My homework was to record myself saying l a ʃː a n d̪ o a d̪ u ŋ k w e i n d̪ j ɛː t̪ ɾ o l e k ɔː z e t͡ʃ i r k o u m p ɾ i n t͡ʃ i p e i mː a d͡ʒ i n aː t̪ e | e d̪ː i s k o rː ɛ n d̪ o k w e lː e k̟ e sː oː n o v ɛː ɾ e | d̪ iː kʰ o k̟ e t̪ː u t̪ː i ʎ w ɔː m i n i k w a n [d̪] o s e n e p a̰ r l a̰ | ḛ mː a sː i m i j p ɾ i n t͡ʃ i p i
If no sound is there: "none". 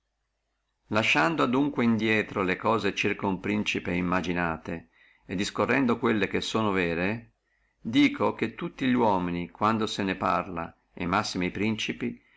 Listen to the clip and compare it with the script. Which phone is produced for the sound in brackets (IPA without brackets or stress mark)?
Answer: d̪